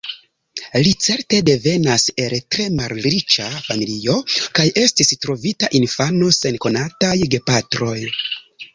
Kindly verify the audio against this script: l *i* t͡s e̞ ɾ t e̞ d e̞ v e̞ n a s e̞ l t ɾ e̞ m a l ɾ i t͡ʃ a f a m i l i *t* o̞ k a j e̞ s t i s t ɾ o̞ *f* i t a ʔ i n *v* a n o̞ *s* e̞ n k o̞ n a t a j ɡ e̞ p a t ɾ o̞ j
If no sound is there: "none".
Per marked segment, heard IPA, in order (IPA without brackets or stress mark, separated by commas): i, none, v, f, s